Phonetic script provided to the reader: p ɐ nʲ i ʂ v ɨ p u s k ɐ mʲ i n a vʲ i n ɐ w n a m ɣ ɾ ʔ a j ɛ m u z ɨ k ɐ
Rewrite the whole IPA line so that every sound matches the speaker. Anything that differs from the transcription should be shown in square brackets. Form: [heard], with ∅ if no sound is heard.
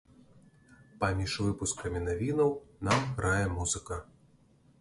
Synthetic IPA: p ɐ [mʲ] i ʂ v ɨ p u s k ɐ mʲ i n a vʲ i n ɐ w n a m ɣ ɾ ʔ a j ɛ m u z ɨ k ɐ